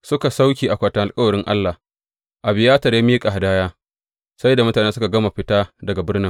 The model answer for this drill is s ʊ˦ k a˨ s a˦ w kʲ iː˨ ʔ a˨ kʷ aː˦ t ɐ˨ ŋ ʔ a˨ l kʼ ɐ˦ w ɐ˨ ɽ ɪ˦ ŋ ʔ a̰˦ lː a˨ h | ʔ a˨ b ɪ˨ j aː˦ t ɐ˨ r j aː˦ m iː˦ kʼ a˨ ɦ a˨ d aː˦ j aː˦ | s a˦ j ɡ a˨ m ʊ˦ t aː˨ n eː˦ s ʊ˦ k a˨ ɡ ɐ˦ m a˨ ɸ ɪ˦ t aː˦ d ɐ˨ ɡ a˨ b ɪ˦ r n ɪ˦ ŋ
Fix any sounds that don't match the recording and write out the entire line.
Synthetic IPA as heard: s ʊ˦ k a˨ s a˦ w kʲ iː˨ ʔ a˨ kʷ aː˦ t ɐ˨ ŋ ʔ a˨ l kʼ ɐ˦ w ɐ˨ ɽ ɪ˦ ŋ ʔ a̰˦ lː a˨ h | ʔ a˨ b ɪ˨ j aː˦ t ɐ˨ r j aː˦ m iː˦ kʼ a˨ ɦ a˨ d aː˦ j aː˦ | s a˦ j d a˨ m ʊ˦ t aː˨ n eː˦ s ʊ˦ k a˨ ɡ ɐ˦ m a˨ ɸ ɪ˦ t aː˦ d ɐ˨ ɡ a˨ b ɪ˦ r n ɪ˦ ŋ